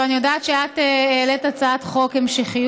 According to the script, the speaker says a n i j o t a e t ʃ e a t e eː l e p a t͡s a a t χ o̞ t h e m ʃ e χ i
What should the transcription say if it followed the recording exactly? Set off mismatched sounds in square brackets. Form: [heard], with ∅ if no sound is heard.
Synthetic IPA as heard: a n i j o [d] a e t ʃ e a t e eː l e [t] a t͡s a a t χ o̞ [k] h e m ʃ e χ i